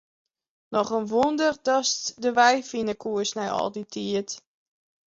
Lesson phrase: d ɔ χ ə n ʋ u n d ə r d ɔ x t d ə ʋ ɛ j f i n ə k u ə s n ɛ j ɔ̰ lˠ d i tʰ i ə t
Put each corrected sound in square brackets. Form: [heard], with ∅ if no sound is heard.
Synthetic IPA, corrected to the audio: [n] ɔ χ ə n ʋ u n d ə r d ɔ [s] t d ə ʋ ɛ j f i n ə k u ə s n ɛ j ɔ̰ lˠ d i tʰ i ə t

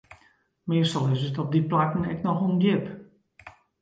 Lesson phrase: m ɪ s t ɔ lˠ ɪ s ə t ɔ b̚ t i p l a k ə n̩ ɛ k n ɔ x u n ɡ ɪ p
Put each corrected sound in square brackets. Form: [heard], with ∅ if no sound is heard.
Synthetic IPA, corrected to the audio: m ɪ s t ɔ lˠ ɪ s ə t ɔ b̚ [d] i p l a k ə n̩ ɛ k n ɔ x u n ɡ ɪ p

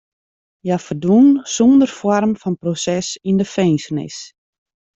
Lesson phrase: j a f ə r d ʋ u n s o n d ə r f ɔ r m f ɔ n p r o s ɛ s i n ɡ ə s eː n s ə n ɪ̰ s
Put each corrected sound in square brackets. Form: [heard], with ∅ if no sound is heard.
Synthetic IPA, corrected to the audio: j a f ə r d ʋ u n s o n d ə r f ɔ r m f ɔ n p r o s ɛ s i n [d] ə [f] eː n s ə n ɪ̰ s

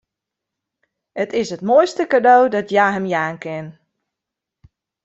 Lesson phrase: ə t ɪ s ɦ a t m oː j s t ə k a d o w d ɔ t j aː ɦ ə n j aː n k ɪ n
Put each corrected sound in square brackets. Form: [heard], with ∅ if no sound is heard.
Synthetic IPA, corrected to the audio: ə t ɪ s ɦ [ə] t m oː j s t ə k a d o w d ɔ t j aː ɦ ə [m] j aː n k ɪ n

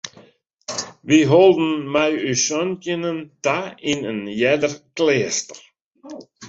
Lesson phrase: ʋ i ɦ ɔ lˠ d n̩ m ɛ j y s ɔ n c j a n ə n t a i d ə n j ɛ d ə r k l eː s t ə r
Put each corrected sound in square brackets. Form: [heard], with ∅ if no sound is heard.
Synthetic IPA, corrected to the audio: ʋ i ɦ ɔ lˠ d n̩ m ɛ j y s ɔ n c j [ə] n ə n t a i [n] ə n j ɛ d ə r k l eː s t ə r

